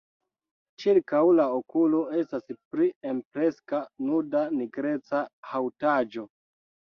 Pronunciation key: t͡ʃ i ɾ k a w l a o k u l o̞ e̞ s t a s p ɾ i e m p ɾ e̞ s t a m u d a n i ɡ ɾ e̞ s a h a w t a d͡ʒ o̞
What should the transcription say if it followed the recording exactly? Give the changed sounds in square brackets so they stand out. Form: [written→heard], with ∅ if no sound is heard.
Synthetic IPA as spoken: t͡ʃ i ɾ k a w l a o k u l o̞ e̞ s t a s p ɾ i e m p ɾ e̞ s [t→k] a [m→n] u d a n i ɡ ɾ e̞ [s→t͡s] a h a w t a d͡ʒ o̞